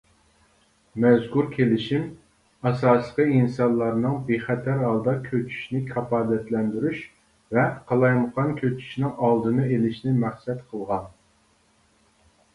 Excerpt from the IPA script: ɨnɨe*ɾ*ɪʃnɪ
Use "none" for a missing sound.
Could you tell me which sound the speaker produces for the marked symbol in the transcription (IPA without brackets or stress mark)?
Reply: l